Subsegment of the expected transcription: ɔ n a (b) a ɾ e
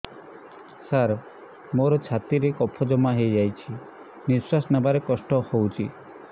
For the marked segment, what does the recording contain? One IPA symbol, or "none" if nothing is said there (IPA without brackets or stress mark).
b